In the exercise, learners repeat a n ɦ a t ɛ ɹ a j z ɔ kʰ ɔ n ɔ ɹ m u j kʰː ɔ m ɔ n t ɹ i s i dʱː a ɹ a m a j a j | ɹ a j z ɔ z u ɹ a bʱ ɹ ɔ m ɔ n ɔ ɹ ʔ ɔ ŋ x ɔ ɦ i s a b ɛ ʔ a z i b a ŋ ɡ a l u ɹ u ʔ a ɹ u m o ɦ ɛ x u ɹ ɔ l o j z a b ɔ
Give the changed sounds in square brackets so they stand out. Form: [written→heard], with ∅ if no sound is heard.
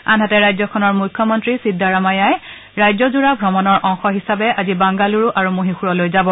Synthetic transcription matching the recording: a n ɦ a t ɛ ɹ a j z ɔ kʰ ɔ n ɔ ɹ m u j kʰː ɔ m ɔ n t ɹ i s i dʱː a ɹ a m a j a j | ɹ a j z ɔ z u ɹ a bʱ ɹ ɔ m ɔ n ɔ ɹ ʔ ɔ ŋ x ɔ ɦ i s a b ɛ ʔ a z i b a ŋ ɡ a l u ɹ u ʔ a ɹ u m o ɦ [ɛ→i] x u ɹ ɔ l o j z a b ɔ